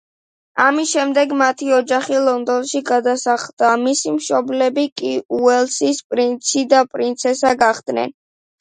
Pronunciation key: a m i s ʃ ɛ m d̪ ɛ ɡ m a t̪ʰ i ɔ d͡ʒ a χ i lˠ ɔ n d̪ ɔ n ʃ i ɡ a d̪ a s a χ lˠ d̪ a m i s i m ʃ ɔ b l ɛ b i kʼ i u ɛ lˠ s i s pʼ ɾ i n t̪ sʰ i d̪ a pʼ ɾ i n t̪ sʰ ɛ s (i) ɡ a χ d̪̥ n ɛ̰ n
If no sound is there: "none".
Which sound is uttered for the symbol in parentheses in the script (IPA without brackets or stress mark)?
a